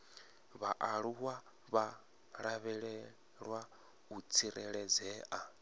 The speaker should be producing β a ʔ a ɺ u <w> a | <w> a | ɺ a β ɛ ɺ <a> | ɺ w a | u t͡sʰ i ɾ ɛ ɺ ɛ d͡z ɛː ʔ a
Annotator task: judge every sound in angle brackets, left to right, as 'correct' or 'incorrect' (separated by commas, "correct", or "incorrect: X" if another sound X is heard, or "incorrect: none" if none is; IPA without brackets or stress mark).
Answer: correct, incorrect: β, incorrect: ɛ